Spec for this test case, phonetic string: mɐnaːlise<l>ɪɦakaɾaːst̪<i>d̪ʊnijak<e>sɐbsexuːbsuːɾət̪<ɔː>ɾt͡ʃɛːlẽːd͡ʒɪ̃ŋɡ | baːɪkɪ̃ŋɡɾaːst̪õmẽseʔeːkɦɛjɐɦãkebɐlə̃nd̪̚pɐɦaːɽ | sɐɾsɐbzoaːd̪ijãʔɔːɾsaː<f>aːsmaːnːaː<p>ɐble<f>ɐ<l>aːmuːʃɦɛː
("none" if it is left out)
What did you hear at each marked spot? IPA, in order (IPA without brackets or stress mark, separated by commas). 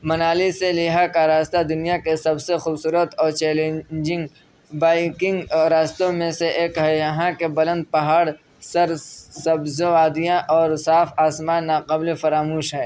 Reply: l, a, e, ɔː, f, q, f, ɾ